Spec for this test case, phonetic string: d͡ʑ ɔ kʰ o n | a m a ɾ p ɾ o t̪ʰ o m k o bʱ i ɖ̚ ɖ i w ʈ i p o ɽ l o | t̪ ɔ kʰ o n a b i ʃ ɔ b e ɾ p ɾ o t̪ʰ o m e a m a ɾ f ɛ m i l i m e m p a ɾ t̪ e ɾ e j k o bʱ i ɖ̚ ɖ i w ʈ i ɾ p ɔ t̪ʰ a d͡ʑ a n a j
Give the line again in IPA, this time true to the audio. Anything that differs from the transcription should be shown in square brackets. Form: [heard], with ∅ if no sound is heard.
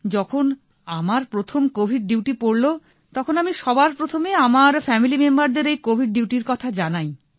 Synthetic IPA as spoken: d͡ʑ ɔ kʰ o n | a m a ɾ p ɾ o t̪ʰ o m k o bʱ i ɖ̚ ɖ i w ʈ i p o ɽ l o | t̪ ɔ kʰ o n a [m] i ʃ ɔ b [a] ɾ p ɾ o t̪ʰ o m e a m a ɾ f ɛ m i l i m e m [b] a ɾ [d̪] e ɾ e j k o bʱ i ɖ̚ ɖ i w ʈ i ɾ [k] ɔ t̪ʰ a d͡ʑ a n a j